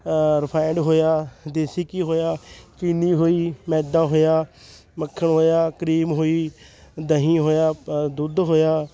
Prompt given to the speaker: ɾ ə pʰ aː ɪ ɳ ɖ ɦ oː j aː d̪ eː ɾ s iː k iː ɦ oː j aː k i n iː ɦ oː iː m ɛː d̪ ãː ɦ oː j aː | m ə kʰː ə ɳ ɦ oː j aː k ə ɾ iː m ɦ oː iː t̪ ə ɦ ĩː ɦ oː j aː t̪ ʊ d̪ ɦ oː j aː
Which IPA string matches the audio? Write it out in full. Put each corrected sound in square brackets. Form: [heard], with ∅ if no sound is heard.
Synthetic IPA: ɾ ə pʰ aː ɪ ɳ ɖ ɦ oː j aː d̪ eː [∅] s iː k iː ɦ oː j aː k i n iː ɦ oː iː m ɛː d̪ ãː ɦ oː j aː | m ə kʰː ə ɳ ɦ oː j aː k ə ɾ iː m ɦ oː iː [d̪] ə ɦ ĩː ɦ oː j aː [d̪] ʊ d̪ ɦ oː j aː